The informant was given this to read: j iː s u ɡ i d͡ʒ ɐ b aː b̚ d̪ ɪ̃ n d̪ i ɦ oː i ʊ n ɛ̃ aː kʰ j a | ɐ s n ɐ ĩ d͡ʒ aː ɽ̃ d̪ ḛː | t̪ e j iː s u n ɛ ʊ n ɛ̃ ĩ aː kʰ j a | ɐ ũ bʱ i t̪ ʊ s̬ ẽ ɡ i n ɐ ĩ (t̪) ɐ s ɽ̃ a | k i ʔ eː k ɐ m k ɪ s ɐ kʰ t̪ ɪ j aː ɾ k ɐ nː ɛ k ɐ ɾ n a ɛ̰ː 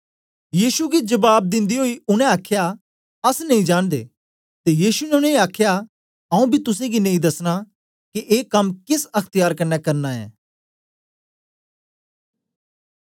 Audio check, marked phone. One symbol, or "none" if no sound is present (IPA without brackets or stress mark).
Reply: d̪